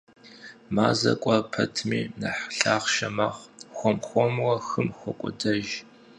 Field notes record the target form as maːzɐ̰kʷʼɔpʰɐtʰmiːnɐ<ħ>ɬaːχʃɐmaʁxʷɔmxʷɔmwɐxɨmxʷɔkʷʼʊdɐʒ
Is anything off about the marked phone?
no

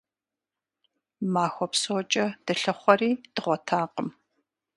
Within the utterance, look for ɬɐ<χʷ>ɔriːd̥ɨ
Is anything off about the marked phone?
no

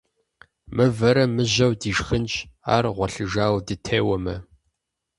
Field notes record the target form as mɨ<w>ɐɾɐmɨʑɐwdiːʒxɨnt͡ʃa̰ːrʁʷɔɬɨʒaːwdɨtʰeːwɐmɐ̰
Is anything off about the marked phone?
yes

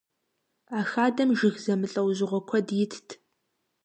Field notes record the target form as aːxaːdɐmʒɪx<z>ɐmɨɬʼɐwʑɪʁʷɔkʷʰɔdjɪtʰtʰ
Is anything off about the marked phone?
no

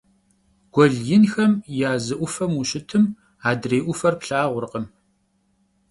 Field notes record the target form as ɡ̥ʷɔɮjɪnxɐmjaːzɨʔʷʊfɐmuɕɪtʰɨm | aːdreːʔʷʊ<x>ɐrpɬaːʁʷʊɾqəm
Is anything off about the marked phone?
yes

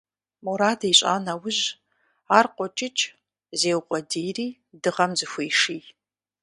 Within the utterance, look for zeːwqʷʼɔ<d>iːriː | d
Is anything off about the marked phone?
no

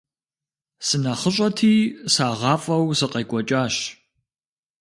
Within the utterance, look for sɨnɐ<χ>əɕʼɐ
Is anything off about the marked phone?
no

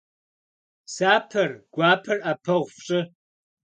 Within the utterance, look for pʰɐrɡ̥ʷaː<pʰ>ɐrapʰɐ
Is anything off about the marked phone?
no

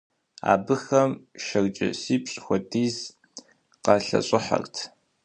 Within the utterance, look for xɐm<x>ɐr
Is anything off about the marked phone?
yes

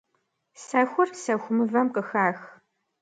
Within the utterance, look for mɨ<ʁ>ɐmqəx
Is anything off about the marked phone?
yes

